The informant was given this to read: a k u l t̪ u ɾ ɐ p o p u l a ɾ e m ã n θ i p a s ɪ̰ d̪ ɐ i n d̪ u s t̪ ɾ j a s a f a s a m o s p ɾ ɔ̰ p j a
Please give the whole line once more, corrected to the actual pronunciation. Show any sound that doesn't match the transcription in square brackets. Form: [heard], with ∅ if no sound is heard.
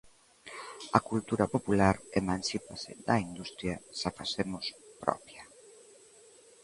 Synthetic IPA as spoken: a k u l t̪ u ɾ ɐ p o p u l a ɾ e m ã n [s] i p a s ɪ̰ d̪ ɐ i n d̪ u s t̪ ɾ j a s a f a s [e] m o s p ɾ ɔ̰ p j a